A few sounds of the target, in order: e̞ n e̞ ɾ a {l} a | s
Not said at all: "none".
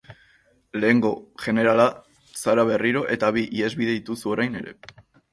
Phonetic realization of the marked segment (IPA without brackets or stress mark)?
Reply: l